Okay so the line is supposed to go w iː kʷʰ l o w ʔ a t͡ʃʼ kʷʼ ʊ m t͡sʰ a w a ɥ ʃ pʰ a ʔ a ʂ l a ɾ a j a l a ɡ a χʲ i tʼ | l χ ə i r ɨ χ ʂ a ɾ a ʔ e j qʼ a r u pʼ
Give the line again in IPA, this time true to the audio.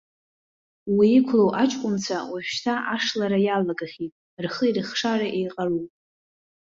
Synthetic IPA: w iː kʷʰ l o w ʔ a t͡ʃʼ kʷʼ ʊ m t͡sʰ a w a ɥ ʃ tʰ a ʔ a ʂ l a ɾ a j a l a ɡ a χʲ i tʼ | r χ ə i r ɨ χ ʂ a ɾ a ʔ e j qʼ a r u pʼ